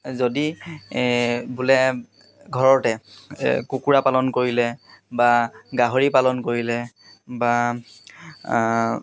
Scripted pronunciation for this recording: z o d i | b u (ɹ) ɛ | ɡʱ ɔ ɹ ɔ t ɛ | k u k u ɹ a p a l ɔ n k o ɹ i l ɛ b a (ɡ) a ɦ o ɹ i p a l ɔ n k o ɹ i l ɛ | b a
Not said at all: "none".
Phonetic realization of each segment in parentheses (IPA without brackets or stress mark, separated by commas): l, ɡ